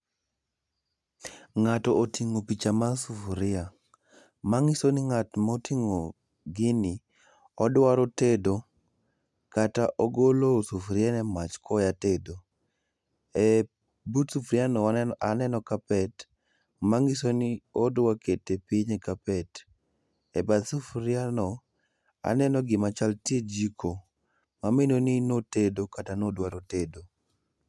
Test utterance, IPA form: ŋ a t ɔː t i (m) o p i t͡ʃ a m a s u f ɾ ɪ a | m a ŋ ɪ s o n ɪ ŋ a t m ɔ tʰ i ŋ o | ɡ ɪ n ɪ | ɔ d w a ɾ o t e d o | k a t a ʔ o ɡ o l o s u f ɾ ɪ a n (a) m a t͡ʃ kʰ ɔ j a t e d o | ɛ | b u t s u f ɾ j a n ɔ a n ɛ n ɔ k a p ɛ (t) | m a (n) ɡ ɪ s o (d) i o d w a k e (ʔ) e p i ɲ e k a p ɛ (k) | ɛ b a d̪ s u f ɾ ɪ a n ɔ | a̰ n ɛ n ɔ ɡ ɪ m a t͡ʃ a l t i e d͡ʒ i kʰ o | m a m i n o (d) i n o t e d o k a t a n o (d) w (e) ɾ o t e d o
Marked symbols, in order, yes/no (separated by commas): no, no, yes, no, no, no, no, no, yes, no